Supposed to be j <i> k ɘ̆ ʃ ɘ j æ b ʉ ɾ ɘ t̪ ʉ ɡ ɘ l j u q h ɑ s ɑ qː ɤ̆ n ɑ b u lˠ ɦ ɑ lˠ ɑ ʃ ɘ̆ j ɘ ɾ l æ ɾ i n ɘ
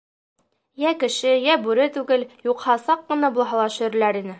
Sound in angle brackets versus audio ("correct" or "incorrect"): incorrect